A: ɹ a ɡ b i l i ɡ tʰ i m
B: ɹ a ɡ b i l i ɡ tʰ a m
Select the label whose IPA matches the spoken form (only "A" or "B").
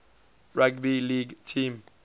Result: A